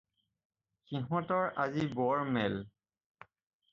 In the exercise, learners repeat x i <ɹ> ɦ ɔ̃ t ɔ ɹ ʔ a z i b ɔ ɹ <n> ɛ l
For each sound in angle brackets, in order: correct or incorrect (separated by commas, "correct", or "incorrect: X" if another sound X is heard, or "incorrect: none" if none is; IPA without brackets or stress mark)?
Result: incorrect: none, incorrect: m